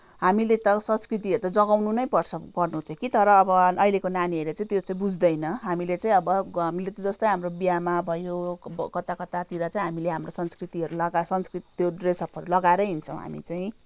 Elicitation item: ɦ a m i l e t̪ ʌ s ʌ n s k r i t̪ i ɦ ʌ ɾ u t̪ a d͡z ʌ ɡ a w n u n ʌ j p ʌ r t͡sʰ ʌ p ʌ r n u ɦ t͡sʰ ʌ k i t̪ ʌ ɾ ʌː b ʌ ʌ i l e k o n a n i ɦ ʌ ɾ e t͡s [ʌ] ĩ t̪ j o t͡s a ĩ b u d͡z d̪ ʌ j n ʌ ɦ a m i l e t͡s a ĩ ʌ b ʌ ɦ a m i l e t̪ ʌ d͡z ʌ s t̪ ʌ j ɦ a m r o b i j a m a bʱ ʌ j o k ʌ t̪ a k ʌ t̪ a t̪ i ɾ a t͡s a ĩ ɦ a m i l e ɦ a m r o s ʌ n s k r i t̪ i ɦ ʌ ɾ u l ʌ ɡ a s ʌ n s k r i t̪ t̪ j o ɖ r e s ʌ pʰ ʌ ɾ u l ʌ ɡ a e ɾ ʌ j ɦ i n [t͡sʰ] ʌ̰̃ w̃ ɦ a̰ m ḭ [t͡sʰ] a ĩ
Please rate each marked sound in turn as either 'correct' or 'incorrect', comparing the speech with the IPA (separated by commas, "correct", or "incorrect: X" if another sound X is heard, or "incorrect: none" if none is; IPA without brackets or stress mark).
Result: incorrect: a, correct, incorrect: t͡s